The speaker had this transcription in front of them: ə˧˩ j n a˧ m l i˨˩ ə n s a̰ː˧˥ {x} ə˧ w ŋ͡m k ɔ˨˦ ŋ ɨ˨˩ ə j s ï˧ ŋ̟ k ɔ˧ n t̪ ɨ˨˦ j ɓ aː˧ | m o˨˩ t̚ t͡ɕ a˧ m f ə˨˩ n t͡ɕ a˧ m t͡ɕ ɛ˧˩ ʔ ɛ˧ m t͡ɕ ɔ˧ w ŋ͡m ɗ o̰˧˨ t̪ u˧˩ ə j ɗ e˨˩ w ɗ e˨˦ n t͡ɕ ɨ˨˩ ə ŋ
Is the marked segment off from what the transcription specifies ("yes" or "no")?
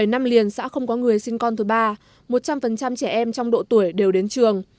no